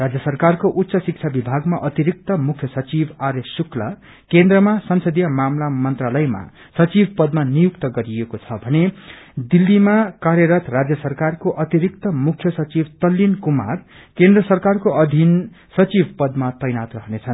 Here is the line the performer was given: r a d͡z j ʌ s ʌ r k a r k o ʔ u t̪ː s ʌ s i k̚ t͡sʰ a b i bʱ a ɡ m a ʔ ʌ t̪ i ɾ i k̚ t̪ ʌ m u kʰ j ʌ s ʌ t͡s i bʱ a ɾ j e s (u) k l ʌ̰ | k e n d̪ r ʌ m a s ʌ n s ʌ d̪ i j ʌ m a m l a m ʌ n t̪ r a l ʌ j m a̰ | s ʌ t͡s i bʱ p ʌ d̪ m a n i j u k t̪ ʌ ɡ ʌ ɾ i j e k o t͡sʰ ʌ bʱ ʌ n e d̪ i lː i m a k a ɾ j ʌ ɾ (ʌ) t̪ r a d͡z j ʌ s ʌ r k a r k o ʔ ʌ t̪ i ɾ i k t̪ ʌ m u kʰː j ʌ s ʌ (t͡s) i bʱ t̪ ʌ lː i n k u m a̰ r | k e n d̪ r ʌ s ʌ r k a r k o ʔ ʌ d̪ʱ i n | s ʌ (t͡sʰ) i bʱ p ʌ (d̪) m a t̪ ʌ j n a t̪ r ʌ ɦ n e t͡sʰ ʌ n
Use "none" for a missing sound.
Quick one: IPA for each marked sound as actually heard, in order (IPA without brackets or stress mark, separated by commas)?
u, ʌ, t͡s, t͡s, d̪